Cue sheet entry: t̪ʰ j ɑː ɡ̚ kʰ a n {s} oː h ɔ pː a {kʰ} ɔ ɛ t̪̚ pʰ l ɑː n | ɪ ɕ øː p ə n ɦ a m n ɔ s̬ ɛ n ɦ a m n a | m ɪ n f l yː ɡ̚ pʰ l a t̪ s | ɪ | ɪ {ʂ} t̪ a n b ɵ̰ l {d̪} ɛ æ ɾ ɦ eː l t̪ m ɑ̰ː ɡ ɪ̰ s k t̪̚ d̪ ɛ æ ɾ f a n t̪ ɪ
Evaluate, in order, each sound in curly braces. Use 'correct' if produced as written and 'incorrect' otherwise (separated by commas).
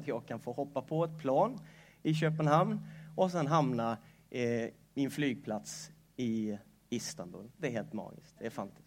incorrect, incorrect, incorrect, correct